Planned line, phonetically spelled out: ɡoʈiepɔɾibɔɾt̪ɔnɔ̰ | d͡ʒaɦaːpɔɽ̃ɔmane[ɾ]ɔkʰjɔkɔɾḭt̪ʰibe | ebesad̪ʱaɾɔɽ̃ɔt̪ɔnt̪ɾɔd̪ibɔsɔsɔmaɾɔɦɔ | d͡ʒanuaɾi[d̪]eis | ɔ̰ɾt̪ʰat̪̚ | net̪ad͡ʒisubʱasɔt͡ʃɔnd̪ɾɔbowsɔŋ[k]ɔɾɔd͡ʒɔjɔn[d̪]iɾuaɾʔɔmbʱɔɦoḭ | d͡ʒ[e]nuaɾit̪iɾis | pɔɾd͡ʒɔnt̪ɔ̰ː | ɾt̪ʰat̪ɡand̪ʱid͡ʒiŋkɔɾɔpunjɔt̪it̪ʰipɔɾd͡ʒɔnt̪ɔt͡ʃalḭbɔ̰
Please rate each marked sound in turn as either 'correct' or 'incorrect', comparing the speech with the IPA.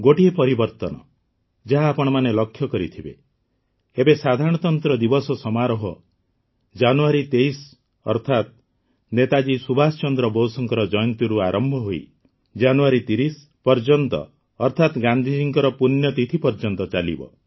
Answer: incorrect, incorrect, correct, incorrect, incorrect

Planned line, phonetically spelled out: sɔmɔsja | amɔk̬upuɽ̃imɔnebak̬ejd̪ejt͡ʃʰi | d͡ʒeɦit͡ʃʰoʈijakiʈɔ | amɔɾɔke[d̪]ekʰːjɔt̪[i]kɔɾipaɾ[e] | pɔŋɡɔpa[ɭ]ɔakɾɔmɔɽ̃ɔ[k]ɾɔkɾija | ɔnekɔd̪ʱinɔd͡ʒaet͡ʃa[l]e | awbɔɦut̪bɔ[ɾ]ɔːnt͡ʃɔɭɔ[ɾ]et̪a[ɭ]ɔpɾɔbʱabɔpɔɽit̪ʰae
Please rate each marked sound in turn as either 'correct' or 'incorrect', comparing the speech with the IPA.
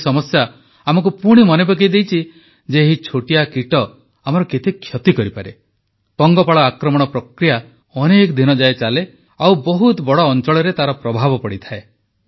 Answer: incorrect, correct, correct, correct, incorrect, correct, incorrect, correct, incorrect

